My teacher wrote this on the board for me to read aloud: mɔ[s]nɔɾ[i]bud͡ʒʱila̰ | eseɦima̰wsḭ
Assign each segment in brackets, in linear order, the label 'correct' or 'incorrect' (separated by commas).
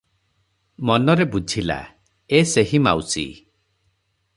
incorrect, incorrect